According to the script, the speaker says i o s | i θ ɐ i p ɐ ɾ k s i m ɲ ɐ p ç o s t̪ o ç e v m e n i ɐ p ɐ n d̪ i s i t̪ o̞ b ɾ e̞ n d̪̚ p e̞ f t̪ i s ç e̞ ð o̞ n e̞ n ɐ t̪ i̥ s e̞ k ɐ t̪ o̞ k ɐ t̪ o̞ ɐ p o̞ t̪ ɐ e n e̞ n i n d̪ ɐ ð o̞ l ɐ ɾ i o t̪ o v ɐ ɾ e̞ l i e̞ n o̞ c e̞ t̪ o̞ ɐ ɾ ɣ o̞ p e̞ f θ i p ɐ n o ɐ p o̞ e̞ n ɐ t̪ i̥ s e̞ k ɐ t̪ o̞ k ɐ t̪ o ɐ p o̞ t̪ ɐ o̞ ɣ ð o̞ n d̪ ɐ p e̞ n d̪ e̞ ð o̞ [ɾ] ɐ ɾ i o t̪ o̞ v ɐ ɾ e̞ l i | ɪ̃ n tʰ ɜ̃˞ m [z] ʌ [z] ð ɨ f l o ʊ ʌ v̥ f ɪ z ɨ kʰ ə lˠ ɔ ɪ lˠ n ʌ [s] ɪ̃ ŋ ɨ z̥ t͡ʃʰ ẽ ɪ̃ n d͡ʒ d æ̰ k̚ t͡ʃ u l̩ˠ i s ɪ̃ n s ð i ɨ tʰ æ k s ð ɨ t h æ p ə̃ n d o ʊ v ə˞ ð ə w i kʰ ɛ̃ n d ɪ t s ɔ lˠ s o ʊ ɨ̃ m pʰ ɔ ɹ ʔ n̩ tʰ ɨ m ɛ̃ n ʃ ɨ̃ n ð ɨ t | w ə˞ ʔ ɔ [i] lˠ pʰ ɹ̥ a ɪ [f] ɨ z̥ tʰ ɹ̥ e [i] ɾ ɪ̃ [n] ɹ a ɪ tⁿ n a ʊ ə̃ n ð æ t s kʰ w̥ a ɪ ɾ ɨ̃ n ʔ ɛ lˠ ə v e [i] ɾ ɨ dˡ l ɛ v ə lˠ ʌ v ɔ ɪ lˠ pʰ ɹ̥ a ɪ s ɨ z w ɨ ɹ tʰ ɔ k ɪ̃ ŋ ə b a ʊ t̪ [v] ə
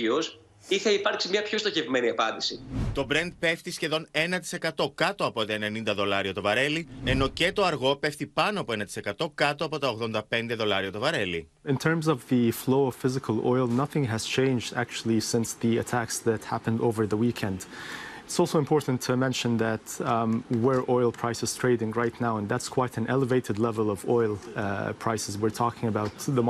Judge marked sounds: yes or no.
no, yes, no, no, no, no, no, no, no, no

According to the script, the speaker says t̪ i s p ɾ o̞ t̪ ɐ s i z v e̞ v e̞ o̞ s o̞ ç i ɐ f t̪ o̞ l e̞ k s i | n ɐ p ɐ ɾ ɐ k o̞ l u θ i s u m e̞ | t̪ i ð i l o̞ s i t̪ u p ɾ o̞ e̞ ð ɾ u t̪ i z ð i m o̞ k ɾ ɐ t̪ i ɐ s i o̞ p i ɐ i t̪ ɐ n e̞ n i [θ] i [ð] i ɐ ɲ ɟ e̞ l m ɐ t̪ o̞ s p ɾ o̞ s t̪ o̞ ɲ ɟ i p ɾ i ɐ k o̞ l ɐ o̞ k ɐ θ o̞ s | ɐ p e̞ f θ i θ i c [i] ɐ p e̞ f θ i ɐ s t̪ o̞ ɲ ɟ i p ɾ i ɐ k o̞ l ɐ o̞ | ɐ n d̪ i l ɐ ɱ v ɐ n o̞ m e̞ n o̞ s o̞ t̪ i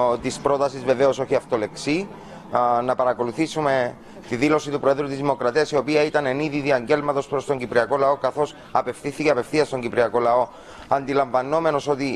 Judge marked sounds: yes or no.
no, yes, no

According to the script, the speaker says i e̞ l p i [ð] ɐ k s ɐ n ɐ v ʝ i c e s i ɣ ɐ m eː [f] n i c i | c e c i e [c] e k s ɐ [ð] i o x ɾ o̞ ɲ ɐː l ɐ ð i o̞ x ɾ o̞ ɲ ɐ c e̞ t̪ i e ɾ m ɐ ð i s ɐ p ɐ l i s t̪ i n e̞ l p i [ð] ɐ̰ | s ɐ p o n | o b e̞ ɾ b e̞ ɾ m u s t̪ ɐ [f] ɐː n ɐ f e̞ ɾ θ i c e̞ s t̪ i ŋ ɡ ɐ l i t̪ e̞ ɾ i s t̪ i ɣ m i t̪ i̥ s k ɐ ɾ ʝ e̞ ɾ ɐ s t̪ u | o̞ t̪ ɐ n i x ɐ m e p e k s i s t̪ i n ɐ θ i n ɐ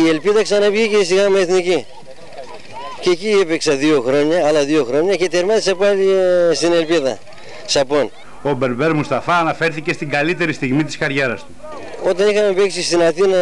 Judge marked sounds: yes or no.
yes, no, no, yes, yes, yes

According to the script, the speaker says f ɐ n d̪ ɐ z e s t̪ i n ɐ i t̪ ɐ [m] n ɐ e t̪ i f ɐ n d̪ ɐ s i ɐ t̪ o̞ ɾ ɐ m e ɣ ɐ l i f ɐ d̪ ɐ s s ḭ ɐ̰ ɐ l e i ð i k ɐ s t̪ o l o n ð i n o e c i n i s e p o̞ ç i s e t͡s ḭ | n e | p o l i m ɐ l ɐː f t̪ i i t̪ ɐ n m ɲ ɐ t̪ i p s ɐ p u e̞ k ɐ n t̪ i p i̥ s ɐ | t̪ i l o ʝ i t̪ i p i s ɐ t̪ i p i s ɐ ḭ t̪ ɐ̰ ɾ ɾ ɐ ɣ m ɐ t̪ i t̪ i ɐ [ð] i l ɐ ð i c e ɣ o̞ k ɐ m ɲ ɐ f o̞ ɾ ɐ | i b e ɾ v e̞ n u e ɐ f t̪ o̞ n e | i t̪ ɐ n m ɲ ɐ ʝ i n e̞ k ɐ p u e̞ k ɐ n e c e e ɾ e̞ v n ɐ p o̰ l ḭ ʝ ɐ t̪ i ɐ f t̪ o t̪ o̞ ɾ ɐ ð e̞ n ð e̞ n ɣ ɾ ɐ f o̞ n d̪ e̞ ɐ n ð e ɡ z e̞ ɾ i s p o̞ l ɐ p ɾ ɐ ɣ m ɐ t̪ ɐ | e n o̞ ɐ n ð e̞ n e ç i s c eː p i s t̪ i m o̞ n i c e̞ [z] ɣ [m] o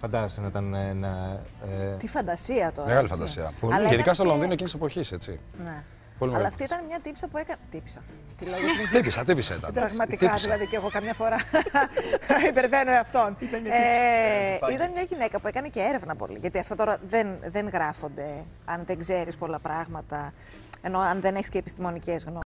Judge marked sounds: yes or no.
no, yes, yes, no

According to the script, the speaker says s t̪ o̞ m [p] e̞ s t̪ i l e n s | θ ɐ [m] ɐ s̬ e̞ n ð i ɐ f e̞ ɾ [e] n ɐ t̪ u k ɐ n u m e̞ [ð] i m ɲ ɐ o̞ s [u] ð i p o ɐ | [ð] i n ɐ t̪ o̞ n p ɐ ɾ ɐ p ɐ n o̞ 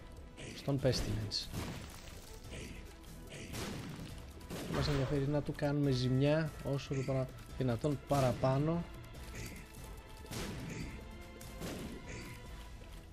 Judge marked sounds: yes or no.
yes, yes, no, no, no, yes

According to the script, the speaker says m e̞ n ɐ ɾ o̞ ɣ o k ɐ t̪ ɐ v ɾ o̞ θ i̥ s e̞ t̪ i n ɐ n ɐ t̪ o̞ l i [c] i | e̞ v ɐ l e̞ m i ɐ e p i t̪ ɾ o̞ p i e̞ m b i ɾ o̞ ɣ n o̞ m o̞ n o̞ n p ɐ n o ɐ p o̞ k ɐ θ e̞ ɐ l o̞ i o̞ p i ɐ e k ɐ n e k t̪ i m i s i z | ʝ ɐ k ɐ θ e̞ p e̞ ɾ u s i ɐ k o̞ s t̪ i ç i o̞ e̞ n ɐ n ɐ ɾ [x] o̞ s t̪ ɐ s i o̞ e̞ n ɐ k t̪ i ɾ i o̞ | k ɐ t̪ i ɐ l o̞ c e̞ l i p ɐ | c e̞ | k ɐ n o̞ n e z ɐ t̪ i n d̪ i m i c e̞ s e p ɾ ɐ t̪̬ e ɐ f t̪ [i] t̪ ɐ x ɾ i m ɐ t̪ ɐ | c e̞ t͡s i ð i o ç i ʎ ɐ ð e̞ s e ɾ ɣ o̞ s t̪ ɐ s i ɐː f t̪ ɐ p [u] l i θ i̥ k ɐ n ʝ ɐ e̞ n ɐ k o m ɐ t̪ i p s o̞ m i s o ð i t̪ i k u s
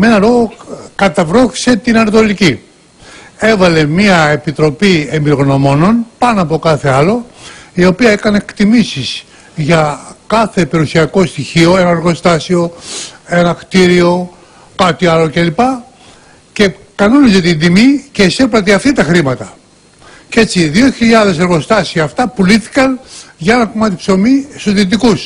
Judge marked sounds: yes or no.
yes, no, yes, yes

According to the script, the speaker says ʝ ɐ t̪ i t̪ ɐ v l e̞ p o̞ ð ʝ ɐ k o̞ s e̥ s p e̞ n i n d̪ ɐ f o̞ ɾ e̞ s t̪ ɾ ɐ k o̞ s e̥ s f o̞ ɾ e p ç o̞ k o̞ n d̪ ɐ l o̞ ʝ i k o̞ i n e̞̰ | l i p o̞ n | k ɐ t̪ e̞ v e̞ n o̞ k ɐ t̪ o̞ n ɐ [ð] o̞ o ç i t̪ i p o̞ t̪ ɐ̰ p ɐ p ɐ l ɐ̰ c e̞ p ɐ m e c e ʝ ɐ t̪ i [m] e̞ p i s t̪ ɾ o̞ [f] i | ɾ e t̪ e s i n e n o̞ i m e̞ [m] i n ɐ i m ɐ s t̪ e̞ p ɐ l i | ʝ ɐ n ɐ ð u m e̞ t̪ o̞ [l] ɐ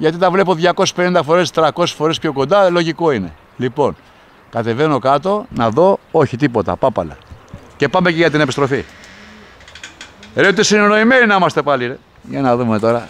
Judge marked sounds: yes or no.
yes, no, yes, no, no

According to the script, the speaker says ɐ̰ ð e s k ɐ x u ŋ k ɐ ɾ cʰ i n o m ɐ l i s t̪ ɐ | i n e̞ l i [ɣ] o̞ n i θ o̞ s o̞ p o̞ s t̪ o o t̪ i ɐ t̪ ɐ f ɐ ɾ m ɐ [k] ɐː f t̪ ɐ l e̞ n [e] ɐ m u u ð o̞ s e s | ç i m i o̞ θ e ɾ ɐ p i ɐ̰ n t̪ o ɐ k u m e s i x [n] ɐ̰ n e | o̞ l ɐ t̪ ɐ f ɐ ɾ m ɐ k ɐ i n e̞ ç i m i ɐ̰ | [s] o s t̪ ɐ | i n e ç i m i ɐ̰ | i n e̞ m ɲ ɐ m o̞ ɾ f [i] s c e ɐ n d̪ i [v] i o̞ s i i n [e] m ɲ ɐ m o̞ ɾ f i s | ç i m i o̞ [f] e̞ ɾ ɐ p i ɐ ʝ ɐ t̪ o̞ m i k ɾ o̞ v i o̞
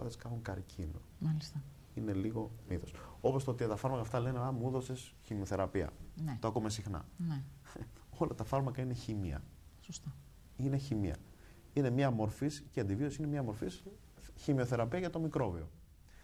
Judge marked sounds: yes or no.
yes, yes, yes, yes, yes, yes, yes, yes, no

